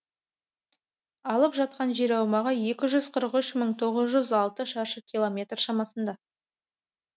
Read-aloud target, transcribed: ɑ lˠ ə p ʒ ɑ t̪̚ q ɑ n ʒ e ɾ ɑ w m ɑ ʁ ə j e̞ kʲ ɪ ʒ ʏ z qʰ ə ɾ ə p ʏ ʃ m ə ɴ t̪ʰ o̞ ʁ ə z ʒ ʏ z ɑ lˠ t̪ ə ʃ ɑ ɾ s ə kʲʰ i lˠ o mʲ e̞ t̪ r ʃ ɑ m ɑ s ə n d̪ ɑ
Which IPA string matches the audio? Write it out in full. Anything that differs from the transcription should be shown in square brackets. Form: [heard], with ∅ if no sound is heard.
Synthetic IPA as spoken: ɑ lˠ ə p ʒ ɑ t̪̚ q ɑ n ʒ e ɾ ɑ w m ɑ ʁ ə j e̞ kʲ ɪ ʒ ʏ z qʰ ə ɾ ə [q] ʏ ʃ m ə ɴ t̪ʰ o̞ ʁ ə z ʒ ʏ z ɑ lˠ t̪ ə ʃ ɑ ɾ [ʃ] ə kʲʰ i lˠ o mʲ e̞ t̪ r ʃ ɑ m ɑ s ə n d̪ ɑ